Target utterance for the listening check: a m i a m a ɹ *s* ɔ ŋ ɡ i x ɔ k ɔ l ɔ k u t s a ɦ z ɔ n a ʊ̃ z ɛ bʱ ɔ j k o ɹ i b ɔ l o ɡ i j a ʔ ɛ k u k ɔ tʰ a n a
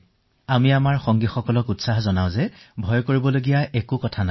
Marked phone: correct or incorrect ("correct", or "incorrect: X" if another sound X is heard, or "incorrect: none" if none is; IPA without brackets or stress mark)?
incorrect: x